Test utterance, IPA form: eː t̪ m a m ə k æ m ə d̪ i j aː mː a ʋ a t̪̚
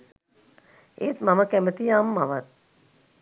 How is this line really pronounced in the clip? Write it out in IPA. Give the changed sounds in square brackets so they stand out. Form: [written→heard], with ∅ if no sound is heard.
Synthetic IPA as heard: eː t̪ m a m ə k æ m ə [d̪→t̪] i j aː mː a ʋ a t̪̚